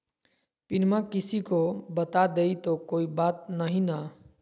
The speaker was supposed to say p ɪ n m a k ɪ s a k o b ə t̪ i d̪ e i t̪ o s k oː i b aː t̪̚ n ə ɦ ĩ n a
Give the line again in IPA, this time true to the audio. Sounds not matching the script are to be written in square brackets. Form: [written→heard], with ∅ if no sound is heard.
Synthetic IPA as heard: p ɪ n m a k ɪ s [a→i] k o b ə t̪ [i→a] d̪ e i t̪ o [s→∅] k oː i b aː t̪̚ n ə ɦ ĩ n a